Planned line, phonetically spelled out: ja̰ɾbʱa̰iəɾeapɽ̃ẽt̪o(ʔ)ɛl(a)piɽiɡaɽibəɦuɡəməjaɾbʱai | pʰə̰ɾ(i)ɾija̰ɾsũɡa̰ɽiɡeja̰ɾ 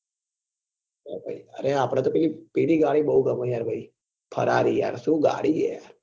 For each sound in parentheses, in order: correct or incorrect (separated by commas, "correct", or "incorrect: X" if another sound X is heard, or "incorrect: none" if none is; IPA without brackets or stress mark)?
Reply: incorrect: p, incorrect: i, incorrect: a